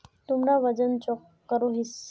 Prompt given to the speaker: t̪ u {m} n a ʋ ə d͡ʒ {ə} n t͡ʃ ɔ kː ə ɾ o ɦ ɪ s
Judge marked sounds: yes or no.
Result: yes, yes

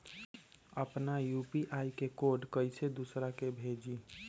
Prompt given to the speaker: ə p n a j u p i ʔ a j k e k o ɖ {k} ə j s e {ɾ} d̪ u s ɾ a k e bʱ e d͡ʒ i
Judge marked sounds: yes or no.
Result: yes, no

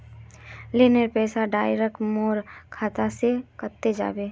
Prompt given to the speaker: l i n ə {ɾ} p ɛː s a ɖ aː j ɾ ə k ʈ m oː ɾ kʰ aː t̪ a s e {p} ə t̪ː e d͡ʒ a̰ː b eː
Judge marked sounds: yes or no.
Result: yes, no

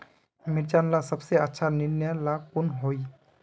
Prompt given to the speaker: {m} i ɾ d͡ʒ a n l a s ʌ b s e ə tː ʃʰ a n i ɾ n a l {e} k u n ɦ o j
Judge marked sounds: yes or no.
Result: yes, no

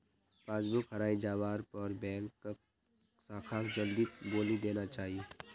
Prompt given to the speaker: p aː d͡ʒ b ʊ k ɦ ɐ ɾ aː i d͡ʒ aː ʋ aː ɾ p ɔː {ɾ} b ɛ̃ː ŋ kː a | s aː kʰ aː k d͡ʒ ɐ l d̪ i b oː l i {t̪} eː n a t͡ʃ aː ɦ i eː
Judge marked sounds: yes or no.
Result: yes, no

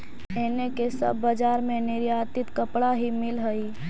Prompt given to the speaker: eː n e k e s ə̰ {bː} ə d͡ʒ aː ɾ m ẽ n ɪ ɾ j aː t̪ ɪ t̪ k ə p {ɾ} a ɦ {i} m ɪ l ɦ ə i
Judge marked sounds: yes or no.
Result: yes, no, yes

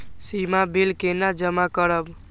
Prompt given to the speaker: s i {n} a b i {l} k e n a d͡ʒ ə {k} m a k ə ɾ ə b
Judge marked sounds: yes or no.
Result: no, yes, no

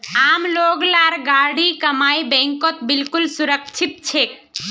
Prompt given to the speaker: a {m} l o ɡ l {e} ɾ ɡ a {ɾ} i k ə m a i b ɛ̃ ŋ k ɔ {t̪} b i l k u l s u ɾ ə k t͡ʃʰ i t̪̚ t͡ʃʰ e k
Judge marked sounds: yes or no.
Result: yes, no, no, yes

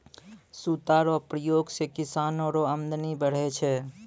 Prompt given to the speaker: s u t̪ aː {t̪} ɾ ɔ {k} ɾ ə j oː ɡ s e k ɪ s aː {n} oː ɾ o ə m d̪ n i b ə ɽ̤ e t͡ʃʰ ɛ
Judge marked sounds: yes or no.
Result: no, no, yes

